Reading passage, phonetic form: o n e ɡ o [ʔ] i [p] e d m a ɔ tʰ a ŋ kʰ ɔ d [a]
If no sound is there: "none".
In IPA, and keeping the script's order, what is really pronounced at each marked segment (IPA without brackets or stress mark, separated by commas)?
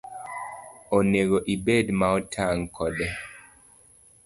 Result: ʔ, b, ɛ